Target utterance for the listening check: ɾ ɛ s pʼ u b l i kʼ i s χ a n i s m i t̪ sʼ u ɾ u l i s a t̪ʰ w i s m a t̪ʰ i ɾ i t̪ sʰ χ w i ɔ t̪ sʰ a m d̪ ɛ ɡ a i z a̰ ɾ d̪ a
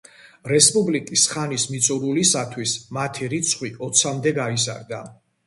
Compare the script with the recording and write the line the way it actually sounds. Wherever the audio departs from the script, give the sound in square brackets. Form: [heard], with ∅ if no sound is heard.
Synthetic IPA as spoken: ɾ ɛ s pʼ u b l i kʼ i s χ a n i s m i t̪ sʼ u ɾ u l i s a t̪ʰ w i s m a t̪ʰ i ɾ i t̪ sʰ χ w i ɔ t̪ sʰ a m d̪ ɛ ɡ a i z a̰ ɾ d̪ a